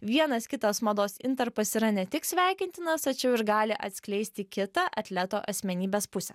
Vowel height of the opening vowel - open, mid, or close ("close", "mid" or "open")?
close